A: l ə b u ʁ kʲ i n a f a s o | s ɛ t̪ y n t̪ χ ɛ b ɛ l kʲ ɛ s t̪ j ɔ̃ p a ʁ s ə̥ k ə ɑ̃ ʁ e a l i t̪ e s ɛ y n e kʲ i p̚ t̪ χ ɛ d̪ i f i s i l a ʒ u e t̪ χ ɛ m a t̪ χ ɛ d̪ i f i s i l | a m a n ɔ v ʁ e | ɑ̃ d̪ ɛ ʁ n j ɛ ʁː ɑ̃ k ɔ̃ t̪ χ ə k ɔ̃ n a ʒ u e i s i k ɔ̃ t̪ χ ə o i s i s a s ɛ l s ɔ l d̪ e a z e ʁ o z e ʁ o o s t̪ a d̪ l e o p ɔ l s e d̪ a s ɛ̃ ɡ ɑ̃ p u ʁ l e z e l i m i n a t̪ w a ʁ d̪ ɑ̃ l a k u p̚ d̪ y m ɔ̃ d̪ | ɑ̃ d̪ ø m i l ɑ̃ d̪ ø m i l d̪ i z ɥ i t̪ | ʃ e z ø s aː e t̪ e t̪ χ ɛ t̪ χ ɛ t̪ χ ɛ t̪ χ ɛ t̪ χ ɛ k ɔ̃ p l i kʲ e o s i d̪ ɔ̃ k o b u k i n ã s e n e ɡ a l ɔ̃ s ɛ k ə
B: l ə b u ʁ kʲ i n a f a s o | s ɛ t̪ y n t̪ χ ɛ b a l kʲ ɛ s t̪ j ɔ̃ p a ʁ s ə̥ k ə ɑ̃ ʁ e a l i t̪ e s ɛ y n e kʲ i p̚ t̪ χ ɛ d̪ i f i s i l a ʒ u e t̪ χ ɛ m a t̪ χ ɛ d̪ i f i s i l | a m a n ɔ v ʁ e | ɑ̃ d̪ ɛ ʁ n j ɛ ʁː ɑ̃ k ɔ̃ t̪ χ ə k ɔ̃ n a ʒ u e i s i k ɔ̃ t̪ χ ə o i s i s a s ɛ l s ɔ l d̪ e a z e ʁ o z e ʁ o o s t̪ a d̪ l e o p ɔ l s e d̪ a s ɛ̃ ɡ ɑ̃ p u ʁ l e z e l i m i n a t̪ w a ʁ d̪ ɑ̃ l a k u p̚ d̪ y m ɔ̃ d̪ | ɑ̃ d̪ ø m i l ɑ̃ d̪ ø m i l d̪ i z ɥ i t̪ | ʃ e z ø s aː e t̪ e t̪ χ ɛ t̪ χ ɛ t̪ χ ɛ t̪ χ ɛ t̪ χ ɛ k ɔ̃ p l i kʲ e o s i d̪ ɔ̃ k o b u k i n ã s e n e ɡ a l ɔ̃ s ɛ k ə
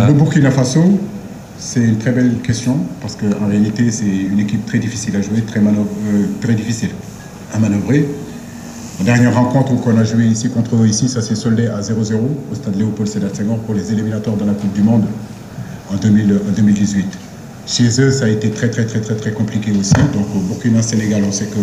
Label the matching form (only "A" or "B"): A